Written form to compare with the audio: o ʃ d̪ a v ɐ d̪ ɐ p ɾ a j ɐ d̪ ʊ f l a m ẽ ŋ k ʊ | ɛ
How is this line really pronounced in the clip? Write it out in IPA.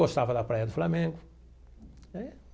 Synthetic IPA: o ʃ t̪ a v ɐ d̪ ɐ p ɾ a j ɐ d̪ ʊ f l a m ẽ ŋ ɡ ʊ | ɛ